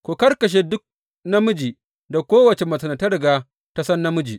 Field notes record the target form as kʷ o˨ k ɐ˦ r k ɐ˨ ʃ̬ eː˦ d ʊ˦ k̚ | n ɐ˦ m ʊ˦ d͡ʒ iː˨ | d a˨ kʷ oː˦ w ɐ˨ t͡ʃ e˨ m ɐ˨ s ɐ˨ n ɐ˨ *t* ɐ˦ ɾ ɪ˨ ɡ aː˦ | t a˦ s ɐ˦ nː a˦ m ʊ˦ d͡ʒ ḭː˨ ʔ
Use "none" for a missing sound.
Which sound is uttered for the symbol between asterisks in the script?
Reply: t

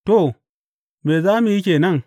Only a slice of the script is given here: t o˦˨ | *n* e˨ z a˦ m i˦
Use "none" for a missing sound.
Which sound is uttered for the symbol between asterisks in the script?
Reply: m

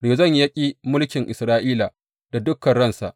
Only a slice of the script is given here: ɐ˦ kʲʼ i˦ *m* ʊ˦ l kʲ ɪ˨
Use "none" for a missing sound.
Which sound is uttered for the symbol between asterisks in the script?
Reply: m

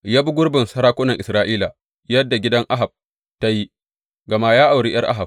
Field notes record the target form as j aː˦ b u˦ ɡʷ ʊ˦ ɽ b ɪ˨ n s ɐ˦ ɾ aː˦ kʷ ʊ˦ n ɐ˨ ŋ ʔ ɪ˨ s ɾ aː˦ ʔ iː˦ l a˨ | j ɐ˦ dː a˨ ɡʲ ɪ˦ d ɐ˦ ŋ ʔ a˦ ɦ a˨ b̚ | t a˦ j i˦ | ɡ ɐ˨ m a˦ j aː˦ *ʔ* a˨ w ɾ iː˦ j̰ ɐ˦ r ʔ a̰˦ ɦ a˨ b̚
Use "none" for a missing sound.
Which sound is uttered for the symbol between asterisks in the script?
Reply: ʔ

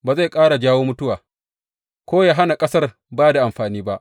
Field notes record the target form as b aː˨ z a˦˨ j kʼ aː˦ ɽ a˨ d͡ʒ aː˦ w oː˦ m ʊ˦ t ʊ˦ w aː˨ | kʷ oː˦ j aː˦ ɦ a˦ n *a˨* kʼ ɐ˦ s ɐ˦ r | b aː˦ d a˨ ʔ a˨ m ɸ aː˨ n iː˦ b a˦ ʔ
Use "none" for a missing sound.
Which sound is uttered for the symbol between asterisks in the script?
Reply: a˨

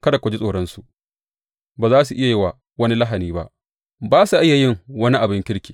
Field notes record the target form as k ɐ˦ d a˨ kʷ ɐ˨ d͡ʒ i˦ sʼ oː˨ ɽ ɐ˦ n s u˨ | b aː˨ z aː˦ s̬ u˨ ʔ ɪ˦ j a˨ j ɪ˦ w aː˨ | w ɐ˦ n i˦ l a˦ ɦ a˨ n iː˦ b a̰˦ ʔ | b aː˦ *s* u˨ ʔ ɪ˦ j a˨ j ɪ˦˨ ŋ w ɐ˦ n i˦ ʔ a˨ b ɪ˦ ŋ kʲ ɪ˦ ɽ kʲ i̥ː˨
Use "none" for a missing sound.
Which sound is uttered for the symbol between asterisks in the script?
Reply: s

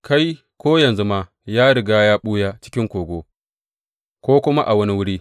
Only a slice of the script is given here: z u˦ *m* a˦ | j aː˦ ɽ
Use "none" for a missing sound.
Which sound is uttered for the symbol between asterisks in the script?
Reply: m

